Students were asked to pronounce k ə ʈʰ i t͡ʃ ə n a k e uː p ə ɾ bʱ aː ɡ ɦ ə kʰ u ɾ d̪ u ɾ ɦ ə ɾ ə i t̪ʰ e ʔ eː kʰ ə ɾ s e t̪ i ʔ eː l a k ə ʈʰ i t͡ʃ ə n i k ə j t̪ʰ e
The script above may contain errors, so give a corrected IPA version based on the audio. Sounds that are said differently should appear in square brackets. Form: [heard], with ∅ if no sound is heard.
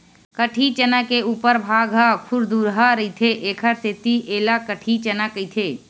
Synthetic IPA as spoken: k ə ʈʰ i t͡ʃ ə n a k e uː p ə ɾ bʱ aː ɡ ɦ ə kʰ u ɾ d̪ u ɾ ɦ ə ɾ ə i t̪ʰ e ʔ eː kʰ ə ɾ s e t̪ i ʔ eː l a k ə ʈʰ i t͡ʃ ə n [a] k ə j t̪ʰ e